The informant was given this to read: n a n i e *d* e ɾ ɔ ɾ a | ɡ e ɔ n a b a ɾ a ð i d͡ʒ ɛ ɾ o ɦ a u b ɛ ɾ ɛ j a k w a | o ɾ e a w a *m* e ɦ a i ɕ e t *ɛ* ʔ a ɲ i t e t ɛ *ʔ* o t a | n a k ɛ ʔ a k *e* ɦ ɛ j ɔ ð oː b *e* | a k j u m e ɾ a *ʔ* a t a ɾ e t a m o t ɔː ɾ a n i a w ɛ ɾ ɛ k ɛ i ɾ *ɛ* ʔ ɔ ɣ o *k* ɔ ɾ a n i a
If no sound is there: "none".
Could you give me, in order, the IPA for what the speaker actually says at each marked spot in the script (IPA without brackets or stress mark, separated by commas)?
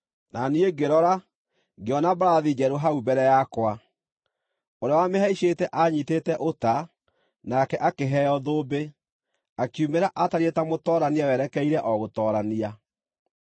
ɡ, m, ɛ, ʔ, e, e, ʔ, ɛ, t